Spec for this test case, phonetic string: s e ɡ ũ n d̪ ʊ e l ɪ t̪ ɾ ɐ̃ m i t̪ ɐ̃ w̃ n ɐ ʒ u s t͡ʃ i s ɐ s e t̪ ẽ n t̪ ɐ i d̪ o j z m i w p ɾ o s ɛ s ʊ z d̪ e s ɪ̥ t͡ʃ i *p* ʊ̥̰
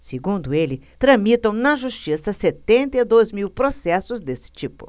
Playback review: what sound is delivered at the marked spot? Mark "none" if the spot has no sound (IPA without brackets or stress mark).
p